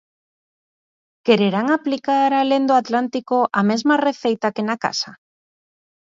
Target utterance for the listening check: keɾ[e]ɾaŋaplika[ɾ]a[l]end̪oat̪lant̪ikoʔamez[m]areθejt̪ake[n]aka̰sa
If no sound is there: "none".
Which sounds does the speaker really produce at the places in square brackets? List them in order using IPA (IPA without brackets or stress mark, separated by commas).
e, ɾ, l, m, n